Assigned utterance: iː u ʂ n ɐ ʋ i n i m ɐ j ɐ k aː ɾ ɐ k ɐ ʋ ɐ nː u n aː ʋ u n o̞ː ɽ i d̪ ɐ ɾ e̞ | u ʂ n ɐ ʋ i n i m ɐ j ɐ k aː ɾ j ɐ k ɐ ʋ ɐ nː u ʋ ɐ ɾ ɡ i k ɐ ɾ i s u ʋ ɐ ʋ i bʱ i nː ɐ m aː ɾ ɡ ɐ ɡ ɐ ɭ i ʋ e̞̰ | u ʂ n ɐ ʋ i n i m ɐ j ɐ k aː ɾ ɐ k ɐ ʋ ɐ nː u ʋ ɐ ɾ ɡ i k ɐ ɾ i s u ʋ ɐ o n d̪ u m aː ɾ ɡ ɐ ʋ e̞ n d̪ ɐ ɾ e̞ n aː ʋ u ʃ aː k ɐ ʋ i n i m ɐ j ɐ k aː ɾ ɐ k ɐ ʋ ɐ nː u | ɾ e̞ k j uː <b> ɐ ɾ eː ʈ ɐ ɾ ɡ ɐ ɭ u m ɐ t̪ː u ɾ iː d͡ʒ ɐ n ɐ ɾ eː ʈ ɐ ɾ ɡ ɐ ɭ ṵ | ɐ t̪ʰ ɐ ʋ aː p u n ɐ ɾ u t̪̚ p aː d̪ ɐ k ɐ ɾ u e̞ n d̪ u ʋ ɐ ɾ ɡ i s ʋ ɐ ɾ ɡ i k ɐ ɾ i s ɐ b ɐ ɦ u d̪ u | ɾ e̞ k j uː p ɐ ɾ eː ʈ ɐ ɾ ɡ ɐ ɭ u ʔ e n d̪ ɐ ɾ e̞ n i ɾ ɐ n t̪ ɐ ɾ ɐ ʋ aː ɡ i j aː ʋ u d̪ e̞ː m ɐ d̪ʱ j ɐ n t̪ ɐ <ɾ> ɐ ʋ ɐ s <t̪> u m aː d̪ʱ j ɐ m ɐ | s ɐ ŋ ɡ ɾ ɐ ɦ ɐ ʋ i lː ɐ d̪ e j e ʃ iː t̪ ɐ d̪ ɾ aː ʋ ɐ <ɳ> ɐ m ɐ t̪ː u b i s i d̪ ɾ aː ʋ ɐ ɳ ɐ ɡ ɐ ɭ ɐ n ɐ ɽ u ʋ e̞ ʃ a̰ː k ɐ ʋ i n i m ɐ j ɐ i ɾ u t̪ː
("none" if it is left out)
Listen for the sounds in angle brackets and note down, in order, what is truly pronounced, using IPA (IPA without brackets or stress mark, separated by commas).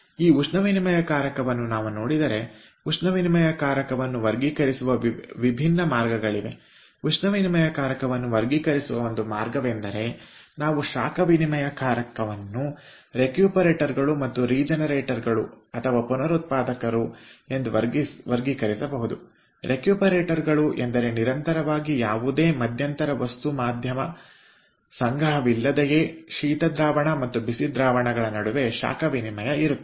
p, ɾ, t̪, ɳ